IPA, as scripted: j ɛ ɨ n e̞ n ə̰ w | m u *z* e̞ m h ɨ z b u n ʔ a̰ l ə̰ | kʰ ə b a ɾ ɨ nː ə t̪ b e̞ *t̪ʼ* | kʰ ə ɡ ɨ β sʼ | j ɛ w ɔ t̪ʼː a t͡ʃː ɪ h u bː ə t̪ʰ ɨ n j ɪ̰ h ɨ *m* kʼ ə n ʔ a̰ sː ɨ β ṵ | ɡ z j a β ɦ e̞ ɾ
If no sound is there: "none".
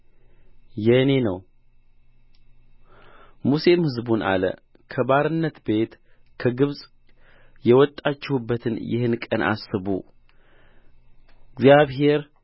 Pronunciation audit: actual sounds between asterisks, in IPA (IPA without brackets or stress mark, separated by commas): s, t̪, n